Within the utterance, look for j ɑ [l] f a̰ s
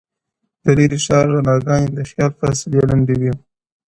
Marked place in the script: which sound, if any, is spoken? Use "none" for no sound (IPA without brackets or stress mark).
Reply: l